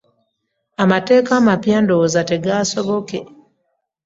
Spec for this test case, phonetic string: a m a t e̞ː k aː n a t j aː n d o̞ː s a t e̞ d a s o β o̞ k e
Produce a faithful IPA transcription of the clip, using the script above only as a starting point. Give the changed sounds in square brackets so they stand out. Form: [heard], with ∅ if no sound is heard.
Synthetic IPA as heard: a m a t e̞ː k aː [m] a [p] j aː n d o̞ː [z] a t e̞ [ɡ] a s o β o̞ k e